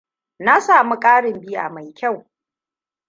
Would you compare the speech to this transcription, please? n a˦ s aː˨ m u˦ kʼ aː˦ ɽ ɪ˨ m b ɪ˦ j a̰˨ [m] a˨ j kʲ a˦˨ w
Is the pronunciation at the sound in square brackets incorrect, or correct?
correct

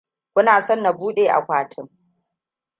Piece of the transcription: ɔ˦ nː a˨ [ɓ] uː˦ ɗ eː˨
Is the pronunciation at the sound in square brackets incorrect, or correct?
incorrect: b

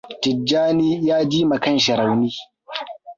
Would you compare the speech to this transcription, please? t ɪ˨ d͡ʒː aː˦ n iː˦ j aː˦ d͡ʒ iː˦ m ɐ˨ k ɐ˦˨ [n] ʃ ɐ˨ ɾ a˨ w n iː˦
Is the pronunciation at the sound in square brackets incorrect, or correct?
correct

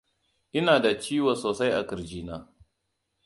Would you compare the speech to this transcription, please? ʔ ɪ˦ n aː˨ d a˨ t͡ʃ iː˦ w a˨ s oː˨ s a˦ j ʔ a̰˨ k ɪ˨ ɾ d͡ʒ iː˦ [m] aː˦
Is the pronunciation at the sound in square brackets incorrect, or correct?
incorrect: n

